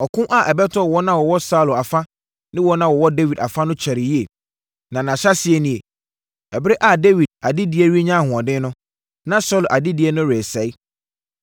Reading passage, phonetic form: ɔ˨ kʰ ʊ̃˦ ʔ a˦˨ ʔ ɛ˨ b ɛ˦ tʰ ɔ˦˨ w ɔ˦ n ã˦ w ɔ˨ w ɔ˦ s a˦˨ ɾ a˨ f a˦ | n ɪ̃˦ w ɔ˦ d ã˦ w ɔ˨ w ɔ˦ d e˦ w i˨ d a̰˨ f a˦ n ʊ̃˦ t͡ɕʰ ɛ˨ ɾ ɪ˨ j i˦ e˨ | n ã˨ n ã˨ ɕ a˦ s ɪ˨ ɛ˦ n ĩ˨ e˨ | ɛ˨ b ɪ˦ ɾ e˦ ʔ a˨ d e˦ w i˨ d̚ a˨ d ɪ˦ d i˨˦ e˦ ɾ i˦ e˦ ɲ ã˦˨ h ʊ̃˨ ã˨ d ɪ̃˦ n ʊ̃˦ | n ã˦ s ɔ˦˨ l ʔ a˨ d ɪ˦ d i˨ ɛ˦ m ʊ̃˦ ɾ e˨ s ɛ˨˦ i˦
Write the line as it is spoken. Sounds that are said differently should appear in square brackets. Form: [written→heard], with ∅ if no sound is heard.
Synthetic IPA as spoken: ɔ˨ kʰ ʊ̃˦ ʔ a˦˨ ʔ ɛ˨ b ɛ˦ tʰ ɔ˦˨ w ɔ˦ n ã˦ w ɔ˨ w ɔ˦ s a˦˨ [ɾ→l] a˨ f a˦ | n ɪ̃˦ w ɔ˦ [d→n] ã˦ w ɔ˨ w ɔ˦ d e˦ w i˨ d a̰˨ f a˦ n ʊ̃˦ t͡ɕʰ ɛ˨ ɾ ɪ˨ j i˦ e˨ | n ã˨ n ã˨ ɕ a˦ s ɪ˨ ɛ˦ n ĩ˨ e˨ | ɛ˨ b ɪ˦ ɾ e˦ ʔ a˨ d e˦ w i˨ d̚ a˨ d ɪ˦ d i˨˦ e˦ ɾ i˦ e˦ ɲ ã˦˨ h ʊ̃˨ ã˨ d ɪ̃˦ n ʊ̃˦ | n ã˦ s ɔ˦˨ l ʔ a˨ d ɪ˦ d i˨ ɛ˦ [m→n] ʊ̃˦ ɾ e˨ s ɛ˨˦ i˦